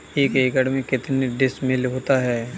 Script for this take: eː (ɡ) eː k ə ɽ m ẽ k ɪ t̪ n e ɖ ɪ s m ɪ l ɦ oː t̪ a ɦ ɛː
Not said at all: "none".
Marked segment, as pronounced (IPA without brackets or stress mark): k